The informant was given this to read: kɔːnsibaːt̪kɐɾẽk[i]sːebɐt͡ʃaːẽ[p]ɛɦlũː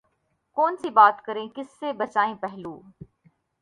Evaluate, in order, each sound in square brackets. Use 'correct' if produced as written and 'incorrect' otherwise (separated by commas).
incorrect, correct